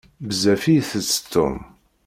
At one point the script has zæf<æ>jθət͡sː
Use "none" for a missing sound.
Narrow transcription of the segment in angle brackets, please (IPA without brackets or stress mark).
i